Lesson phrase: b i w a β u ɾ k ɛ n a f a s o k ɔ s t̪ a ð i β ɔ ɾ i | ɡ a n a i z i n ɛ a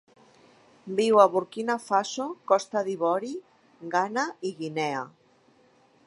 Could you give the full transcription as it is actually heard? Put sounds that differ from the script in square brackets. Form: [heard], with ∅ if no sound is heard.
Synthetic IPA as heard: b i w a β u ɾ k [i] n a f a s o k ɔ s t̪ a ð i β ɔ ɾ i | ɡ a n a i [ɣ] i n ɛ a